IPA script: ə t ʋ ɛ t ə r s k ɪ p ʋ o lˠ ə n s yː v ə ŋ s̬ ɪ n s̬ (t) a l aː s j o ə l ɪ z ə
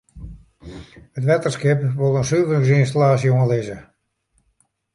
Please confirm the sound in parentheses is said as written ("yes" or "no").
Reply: yes